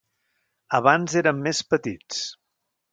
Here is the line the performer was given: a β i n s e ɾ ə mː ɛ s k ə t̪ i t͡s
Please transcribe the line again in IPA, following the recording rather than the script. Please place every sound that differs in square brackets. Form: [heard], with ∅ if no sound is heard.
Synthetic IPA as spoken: [ə] β [a] n [z] e ɾ ə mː [e] s [p] ə t̪ i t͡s